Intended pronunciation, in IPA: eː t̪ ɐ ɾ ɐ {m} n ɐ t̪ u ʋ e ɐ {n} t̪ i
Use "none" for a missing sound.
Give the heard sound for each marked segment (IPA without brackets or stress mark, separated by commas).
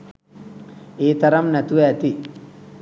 m, none